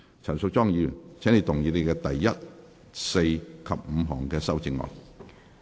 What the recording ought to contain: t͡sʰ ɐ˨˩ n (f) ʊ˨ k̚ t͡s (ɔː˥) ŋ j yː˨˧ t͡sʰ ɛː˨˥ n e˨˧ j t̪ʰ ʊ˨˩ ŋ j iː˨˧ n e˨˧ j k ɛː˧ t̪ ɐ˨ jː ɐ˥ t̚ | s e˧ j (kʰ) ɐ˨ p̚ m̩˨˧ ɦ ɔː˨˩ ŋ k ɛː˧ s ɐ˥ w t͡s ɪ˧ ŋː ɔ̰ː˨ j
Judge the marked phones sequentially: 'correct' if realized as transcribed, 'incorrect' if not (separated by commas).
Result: incorrect, correct, correct